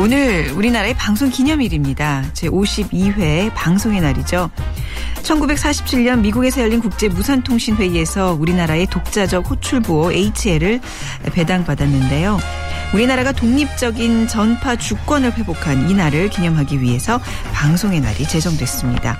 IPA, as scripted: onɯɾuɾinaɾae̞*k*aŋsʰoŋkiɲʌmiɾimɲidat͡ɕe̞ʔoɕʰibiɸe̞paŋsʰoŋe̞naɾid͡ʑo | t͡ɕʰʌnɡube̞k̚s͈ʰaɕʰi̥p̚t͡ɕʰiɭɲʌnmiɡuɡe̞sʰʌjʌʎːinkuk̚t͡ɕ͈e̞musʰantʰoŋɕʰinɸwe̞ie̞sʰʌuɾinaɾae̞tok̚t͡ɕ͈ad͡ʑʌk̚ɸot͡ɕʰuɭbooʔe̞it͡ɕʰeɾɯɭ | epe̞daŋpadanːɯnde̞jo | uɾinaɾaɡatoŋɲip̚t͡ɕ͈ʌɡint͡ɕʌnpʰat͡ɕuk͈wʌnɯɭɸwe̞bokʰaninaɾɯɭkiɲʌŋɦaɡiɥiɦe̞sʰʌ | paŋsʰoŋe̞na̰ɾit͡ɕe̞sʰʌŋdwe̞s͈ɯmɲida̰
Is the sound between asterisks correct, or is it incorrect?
incorrect